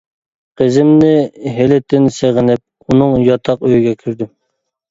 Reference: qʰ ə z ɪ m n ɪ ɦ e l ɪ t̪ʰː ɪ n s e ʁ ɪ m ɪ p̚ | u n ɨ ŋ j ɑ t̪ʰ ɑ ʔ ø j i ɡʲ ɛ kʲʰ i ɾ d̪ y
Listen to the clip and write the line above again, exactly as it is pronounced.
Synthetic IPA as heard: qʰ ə z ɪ m n ɪ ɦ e l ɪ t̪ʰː ɪ n s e ʁ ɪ n ɪ p̚ | u n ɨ ŋ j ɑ t̪ʰ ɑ q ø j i ɡʲ ɛ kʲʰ y ɾ d̪ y